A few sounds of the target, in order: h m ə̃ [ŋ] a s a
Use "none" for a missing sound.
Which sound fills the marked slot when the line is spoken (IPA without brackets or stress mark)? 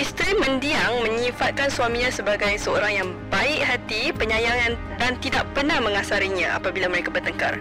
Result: ŋ